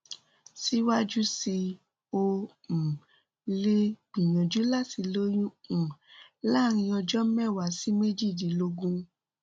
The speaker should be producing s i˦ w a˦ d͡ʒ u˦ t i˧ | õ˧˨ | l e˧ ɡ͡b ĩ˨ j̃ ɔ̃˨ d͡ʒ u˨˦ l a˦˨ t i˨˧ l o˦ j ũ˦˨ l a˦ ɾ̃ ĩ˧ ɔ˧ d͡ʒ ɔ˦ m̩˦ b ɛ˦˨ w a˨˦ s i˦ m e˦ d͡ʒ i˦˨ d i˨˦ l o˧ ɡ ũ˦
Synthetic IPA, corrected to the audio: s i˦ w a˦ d͡ʒ u˦ s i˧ | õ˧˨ | l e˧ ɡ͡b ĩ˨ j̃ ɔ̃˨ d͡ʒ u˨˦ l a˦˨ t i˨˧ l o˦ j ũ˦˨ l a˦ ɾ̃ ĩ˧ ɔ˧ d͡ʒ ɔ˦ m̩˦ m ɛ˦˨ w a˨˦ s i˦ m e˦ d͡ʒ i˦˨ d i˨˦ l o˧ ɡ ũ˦

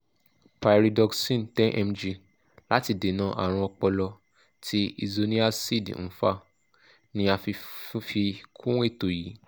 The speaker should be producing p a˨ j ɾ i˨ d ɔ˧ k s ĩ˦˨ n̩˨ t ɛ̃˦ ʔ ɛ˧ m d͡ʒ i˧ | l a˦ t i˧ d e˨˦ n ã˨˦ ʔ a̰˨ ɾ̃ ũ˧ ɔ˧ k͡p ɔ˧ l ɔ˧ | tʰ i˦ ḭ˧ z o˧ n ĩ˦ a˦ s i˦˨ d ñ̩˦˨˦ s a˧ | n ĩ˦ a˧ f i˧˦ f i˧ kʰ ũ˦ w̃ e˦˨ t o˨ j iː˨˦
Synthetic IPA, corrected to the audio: p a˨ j ɾ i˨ d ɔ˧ k s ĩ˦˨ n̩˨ t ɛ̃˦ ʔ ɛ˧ m d͡ʒ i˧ | l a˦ t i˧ d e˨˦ n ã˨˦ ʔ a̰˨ ɾ̃ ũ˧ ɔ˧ k͡p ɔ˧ l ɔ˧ | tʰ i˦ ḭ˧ z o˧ n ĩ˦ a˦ s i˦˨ d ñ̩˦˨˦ f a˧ | n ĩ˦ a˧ f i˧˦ f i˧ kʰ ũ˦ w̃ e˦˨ t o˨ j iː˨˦

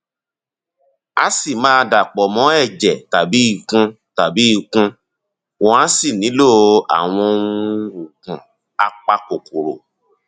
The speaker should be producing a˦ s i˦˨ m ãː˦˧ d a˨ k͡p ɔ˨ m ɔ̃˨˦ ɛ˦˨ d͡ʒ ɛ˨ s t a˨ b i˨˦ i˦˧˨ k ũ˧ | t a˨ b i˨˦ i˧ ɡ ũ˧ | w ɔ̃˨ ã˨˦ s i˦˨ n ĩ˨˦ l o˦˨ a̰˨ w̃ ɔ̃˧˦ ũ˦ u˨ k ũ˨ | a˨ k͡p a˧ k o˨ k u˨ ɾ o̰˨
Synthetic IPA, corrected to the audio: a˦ s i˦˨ m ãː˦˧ d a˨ k͡p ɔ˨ m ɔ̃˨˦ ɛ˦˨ d͡ʒ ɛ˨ t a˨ b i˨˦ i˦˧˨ k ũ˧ | t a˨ b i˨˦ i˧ k ũ˧ | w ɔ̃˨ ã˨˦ s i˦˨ n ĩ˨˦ l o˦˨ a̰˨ w̃ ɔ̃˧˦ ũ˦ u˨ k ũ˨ | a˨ k͡p a˧ k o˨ k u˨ ɾ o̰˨

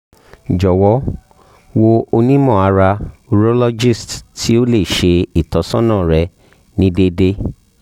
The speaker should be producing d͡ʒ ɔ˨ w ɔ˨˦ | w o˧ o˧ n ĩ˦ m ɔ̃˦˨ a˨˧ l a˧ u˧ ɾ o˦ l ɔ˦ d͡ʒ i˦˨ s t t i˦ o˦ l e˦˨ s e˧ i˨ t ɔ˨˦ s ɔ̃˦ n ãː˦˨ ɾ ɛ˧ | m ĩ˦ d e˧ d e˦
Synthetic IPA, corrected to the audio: d͡ʒ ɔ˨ w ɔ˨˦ | w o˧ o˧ n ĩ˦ m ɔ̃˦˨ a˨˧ ɾ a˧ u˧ ɾ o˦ l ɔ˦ d͡ʒ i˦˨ s t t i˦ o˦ l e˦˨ ʃ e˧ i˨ t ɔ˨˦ s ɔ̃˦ n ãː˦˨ ɾ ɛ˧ | n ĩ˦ d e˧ d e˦

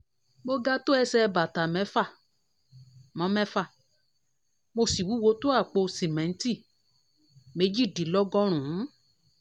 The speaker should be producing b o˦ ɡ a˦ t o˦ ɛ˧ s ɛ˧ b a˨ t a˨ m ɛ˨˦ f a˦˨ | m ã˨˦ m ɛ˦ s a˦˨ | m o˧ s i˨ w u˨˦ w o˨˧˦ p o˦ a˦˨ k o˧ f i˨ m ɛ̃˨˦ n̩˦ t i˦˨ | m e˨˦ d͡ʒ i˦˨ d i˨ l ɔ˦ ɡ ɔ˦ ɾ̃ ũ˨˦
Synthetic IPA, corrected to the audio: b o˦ ɡ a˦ t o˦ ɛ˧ s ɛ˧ b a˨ t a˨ m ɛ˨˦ f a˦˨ | m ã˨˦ m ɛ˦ f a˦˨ | m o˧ s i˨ w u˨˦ w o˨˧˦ t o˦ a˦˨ k͡p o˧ s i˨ m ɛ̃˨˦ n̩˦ t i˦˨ | m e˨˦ d͡ʒ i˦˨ d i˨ l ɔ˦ ɡ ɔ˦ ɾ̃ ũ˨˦

